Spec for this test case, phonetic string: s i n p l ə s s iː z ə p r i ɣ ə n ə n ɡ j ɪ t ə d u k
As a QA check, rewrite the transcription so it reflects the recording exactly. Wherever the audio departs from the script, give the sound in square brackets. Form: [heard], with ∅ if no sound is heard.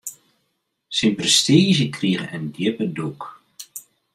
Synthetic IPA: s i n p [r] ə s [t] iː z ə [k] r i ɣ ə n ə n [d] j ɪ [p] ə d u k